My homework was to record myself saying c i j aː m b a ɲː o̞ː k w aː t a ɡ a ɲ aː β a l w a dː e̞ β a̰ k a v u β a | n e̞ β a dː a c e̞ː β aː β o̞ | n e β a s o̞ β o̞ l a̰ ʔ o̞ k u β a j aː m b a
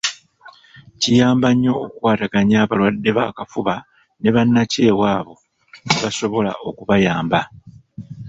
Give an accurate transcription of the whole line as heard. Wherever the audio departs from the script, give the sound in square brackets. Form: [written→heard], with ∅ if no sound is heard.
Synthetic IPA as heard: c i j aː m b a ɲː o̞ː k w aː t a ɡ a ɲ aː β a l w a dː e̞ β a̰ k a [v→f] u β a | n e̞ β a [dː→nː] a c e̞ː [β→w] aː β o̞ | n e β a s o̞ β o̞ l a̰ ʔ o̞ k u β a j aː m b a